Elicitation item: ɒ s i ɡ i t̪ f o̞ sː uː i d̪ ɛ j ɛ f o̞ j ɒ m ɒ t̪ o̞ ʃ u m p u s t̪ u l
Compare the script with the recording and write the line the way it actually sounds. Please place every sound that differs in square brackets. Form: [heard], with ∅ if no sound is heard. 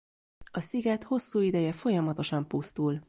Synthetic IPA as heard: ɒ s i ɡ [ɛ] t̪ [h] o̞ sː uː i d̪ ɛ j ɛ f o̞ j ɒ m ɒ t̪ o̞ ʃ [ɒ] m p u s t̪ u l